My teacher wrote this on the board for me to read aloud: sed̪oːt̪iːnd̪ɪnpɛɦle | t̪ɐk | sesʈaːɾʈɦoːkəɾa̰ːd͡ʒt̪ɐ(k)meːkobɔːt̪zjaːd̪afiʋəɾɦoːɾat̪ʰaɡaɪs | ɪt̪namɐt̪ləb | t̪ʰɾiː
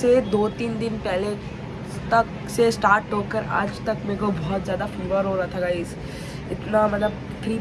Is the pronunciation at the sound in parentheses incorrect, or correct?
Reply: correct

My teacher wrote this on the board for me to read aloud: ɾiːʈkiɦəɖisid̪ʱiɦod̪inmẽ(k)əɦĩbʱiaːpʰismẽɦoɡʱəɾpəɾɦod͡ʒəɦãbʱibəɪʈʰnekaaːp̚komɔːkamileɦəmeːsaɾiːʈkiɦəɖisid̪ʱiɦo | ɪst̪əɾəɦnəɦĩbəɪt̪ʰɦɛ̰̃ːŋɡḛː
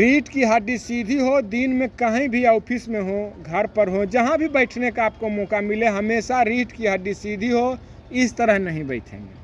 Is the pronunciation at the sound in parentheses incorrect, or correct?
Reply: correct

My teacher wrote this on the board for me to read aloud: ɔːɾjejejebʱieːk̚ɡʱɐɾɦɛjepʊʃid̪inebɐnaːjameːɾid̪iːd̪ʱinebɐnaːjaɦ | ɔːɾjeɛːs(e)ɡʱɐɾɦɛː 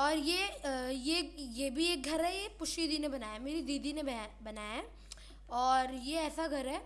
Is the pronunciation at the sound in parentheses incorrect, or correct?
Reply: incorrect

